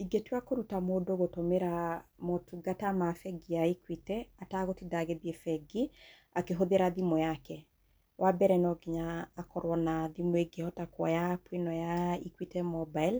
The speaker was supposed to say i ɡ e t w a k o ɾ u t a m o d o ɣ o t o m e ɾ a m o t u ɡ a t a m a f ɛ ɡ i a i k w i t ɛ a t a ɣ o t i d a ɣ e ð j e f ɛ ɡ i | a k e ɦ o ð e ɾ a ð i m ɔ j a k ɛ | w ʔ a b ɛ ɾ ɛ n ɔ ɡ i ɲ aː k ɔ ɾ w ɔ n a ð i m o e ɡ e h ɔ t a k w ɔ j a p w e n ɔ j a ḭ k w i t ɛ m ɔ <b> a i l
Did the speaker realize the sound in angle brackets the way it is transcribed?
yes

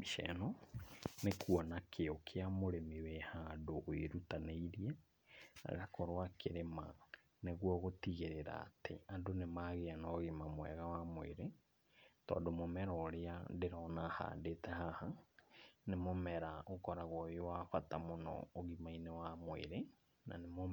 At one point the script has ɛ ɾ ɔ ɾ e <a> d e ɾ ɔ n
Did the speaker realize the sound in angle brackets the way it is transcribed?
yes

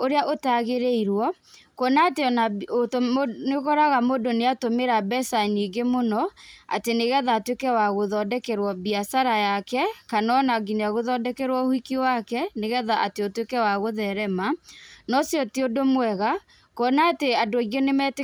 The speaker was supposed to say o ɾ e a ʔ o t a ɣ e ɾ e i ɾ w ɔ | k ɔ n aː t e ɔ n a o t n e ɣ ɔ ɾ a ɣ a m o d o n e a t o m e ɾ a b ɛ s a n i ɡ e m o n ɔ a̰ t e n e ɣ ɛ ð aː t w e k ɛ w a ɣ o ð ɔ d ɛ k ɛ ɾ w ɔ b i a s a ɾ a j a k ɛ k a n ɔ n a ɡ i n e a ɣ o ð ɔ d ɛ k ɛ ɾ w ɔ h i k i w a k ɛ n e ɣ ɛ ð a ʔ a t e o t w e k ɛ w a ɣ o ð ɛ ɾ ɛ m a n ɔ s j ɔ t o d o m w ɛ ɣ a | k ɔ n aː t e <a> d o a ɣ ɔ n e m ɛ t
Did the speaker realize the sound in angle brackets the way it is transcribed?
yes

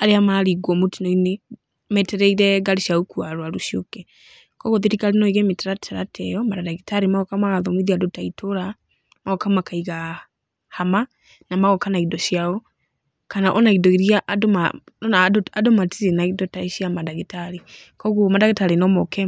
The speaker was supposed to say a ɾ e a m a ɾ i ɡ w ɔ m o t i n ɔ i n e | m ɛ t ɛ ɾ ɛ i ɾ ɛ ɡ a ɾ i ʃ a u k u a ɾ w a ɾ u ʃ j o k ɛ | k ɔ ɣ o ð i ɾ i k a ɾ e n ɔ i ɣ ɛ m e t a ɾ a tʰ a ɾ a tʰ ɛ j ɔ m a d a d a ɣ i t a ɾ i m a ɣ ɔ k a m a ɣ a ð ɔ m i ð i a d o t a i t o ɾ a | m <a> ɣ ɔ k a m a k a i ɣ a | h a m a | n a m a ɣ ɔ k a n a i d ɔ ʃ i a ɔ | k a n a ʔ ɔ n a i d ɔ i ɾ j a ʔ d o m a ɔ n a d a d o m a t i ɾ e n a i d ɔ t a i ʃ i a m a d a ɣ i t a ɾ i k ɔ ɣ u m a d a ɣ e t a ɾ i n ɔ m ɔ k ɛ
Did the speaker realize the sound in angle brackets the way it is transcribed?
yes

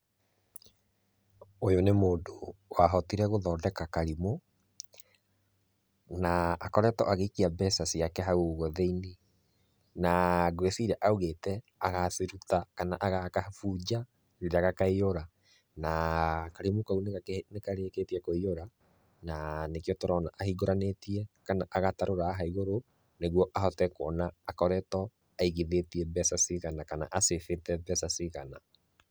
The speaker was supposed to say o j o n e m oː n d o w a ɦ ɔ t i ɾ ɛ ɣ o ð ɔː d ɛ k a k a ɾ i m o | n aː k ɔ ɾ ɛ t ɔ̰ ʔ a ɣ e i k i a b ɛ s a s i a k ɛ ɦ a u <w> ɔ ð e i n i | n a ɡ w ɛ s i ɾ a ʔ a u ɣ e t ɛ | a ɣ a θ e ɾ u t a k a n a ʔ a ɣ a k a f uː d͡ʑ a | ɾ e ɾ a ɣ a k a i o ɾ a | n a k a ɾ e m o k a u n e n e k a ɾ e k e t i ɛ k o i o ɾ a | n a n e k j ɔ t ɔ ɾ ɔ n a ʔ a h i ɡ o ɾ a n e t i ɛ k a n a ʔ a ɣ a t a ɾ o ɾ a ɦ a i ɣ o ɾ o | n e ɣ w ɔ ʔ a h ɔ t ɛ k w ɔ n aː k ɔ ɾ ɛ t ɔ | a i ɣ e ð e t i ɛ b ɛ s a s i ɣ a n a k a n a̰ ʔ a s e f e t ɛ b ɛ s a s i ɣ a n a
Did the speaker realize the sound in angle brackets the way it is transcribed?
no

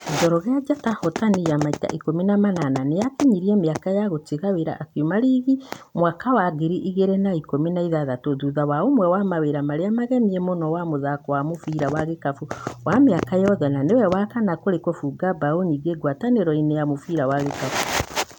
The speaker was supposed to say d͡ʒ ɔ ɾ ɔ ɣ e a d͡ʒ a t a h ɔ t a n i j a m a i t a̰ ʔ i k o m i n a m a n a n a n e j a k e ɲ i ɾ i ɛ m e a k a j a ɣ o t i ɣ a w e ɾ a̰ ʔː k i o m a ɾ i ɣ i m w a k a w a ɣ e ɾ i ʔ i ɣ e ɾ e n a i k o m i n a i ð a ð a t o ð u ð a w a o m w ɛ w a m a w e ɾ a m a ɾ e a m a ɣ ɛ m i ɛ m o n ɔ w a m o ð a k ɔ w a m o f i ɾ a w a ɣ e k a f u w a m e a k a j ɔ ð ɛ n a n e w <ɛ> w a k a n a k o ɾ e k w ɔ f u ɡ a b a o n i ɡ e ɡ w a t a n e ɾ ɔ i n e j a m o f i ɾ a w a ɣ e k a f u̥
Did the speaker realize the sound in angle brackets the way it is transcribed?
yes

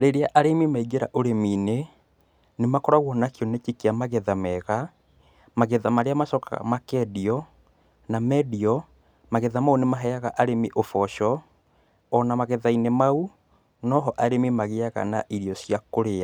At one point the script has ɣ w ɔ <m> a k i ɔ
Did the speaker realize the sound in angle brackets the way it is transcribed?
no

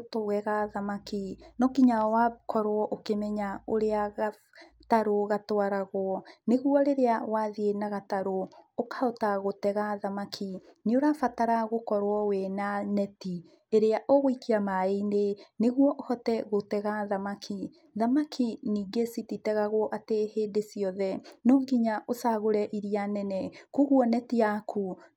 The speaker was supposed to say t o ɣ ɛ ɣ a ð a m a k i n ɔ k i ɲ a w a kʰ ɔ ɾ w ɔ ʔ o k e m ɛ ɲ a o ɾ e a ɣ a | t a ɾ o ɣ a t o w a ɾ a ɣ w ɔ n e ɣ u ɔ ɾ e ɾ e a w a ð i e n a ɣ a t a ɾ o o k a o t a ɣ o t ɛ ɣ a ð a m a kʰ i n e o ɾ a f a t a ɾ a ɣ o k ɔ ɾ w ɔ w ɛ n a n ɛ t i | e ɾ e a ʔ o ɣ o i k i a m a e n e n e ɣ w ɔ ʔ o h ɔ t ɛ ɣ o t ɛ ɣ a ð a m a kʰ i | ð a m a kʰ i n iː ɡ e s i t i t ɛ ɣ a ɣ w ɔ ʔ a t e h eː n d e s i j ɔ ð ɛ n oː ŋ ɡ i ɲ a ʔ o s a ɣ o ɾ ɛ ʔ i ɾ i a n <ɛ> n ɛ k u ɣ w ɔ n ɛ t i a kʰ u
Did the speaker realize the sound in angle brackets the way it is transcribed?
yes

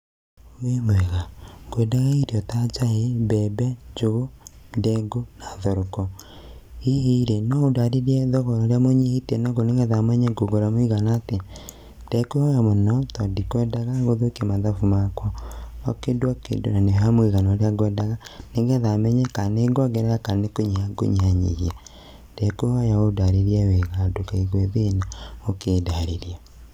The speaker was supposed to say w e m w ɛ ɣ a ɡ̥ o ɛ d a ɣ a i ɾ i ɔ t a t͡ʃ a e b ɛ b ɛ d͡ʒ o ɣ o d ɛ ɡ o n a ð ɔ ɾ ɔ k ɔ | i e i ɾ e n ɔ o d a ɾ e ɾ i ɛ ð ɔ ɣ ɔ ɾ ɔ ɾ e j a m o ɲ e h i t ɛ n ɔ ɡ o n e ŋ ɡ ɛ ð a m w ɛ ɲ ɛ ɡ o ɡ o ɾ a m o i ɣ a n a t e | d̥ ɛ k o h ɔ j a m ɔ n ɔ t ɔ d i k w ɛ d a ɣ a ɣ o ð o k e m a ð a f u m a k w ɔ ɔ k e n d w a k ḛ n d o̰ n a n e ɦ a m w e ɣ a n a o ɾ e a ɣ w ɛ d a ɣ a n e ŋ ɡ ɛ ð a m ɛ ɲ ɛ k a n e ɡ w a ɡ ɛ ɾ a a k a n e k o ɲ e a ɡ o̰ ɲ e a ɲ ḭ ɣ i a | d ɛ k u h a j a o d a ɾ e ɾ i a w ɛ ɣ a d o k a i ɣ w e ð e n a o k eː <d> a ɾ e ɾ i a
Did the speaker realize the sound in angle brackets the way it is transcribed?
yes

